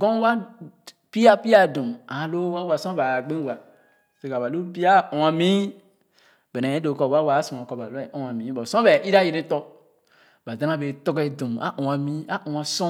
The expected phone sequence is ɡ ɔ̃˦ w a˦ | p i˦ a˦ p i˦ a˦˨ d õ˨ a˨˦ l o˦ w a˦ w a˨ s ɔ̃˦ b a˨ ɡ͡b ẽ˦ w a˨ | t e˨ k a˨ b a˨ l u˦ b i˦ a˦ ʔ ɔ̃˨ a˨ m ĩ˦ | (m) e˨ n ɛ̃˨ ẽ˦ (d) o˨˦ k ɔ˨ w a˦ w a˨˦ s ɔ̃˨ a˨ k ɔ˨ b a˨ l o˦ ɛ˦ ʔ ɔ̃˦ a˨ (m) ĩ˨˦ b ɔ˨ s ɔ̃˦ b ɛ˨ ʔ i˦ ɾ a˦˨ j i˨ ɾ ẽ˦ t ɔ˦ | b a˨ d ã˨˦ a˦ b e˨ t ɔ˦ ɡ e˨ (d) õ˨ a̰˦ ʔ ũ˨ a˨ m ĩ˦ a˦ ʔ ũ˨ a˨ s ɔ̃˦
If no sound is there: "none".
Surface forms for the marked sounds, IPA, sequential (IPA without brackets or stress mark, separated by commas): b, d, m, d